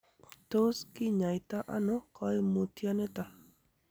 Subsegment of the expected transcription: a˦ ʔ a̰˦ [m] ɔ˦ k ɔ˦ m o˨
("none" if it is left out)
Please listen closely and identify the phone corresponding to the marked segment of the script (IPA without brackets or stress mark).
n